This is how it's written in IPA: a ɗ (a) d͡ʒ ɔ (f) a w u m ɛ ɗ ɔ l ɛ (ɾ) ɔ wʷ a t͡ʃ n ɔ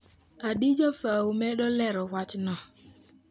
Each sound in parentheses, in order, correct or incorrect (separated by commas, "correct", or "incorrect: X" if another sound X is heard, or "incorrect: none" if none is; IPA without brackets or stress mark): incorrect: i, correct, correct